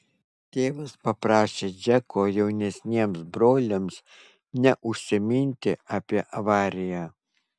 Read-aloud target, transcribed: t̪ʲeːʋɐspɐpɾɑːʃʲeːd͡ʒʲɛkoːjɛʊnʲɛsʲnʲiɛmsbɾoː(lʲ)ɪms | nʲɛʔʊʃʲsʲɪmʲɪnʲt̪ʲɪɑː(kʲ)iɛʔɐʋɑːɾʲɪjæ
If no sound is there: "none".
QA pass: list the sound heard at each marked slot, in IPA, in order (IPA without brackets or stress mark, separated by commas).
lʲ, pʲ